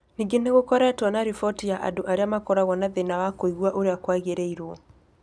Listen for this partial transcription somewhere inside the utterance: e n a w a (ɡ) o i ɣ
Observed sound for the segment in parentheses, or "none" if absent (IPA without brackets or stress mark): k